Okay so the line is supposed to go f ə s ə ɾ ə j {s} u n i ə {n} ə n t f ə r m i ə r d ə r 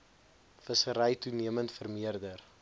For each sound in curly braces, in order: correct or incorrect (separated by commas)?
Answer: incorrect, incorrect